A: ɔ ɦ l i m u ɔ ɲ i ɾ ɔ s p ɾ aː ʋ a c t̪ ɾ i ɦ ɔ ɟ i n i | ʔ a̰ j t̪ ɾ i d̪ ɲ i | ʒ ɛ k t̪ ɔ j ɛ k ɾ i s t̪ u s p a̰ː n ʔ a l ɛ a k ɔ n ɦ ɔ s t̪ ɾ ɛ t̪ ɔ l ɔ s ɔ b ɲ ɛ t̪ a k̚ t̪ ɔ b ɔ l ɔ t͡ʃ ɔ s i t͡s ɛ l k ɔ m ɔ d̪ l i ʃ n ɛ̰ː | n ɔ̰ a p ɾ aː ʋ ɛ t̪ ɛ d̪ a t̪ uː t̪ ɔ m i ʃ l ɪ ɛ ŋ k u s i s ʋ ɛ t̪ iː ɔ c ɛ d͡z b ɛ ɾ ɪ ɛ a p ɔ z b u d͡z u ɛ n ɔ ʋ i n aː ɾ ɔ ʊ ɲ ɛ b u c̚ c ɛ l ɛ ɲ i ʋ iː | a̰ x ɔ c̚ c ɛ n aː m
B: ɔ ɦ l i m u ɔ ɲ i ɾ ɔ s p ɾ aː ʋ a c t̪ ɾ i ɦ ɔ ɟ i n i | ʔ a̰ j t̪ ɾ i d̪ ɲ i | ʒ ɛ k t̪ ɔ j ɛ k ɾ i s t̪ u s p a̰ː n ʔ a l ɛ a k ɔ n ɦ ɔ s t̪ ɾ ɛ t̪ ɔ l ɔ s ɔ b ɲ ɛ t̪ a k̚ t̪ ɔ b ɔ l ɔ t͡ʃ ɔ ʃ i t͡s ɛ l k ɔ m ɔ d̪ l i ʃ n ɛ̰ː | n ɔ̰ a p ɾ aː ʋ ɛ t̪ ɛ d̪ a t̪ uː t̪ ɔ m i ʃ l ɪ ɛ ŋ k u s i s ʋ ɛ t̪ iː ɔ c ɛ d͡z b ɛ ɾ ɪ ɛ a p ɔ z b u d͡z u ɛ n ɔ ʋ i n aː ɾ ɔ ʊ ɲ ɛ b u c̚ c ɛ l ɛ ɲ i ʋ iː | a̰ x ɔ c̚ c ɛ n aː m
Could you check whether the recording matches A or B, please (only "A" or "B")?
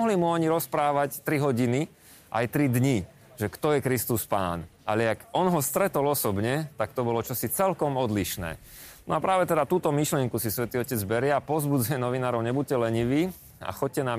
A